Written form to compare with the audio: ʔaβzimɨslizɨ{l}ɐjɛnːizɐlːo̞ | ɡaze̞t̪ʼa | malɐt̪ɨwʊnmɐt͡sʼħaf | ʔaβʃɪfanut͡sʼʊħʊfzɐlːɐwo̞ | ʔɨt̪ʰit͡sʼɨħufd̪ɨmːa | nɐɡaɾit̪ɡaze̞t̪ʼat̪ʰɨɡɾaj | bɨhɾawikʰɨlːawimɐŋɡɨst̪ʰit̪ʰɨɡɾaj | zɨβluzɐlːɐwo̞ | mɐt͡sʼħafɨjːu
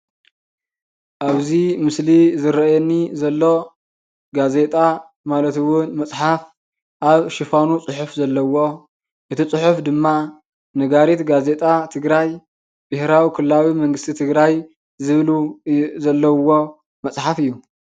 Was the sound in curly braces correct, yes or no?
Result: no